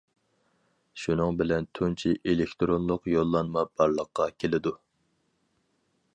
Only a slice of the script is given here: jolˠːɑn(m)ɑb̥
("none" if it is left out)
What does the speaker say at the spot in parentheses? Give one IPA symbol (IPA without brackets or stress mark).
m